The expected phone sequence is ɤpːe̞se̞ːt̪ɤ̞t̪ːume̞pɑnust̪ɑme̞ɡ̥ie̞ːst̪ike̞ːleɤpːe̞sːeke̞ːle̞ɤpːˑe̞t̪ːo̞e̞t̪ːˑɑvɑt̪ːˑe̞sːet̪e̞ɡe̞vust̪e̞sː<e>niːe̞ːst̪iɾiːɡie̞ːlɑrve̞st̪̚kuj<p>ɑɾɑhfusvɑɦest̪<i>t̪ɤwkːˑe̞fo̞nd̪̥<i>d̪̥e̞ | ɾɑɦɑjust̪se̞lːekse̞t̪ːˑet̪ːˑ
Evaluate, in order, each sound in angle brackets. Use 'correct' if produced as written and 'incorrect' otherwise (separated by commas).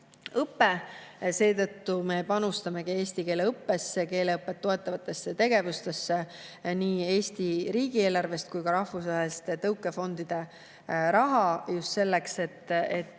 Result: correct, incorrect, incorrect, correct